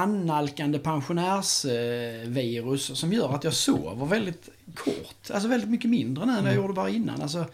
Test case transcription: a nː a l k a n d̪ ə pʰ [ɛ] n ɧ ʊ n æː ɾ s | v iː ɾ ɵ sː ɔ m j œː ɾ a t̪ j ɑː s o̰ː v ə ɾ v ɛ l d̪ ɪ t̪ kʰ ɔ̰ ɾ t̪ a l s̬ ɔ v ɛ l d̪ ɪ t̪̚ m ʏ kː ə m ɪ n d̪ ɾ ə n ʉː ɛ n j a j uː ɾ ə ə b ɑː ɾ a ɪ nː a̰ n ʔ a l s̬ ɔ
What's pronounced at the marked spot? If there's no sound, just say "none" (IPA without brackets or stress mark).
a